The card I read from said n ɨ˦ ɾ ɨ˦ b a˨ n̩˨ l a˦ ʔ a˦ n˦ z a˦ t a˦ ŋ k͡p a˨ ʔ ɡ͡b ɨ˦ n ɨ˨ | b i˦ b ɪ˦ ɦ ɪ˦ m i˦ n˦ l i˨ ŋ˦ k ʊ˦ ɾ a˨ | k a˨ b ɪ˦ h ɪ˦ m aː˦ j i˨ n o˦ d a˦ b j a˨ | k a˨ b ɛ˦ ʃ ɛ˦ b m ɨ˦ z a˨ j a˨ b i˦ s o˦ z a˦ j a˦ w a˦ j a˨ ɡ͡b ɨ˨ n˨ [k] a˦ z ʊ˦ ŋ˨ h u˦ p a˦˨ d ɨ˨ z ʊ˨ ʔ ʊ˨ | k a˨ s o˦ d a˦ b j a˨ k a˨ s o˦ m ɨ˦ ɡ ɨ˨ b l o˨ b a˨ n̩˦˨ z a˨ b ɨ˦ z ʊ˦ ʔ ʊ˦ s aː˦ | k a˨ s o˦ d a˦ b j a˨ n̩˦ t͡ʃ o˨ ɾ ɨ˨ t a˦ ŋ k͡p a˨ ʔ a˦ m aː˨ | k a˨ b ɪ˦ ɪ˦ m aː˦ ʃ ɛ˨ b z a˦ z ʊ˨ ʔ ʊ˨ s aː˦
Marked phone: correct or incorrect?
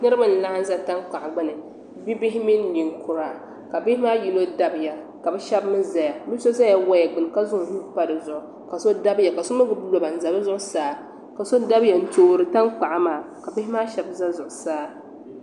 correct